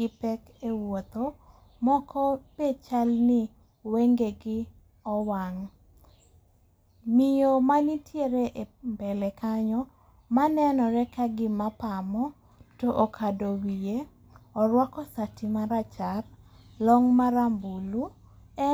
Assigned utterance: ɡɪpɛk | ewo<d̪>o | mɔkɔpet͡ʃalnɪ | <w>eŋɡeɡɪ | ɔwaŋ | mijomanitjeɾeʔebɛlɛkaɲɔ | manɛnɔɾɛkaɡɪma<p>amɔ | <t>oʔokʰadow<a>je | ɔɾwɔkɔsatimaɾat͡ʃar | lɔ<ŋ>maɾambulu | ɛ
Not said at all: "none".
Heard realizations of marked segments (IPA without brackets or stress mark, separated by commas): t̪, w, p, t, i, ŋ